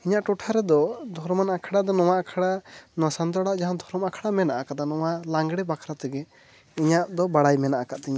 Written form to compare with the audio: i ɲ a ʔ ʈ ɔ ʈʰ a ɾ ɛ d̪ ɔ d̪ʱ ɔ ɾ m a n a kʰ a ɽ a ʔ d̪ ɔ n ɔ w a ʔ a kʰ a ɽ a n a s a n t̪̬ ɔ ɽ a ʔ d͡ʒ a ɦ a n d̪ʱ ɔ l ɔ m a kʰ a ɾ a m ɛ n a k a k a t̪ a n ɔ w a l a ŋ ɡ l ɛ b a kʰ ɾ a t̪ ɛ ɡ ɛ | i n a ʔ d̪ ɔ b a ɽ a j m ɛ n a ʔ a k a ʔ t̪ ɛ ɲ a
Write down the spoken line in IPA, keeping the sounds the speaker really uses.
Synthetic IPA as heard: i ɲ a ʔ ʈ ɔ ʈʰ a ɾ ɛ d̪ ɔ d̪ʱ ɔ ɾ m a n a kʰ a ɽ a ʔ d̪ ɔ n ɔ w a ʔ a kʰ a ɽ a n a s a n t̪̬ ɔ ɽ a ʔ d͡ʒ a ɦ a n d̪ʱ ɔ ɾ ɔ m a kʰ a ɽ a m ɛ n a ʔ a k a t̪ a n ɔ w a l a ŋ ɡ ɽ ɛ b a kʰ ɾ a t̪ ɛ ɡ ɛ | i ɲ a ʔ d̪ ɔ b a ɽ a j m ɛ n a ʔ a k a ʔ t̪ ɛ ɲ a